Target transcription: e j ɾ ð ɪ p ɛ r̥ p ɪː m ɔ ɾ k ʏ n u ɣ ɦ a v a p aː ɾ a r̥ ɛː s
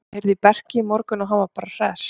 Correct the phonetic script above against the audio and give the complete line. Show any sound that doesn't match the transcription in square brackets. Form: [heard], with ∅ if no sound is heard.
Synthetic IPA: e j ɾ ð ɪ p ɛ r̥ [c] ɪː m ɔ ɾ k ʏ n [ɔ] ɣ ɦ a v a p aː ɾ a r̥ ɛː s